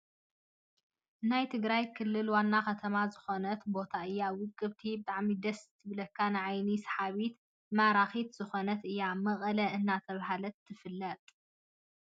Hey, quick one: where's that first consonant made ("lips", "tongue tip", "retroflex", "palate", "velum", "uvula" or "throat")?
tongue tip